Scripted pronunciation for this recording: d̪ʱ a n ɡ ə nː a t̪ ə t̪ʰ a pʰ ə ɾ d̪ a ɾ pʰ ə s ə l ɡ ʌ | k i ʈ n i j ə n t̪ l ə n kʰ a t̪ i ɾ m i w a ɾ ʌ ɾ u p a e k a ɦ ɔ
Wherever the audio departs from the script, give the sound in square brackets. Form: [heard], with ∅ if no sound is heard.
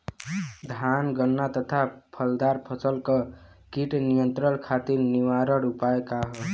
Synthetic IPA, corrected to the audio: d̪ʱ a n ɡ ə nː a t̪ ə t̪ʰ a pʰ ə [l] d̪ a ɾ pʰ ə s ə l [k] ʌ | k i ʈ n i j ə n t̪ [ɾ] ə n kʰ a t̪ i ɾ [n] i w a ɾ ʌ ɾ u p a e k a ɦ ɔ